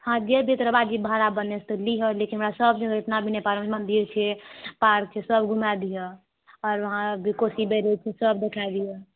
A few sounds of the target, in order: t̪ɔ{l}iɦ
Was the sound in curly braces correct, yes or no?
yes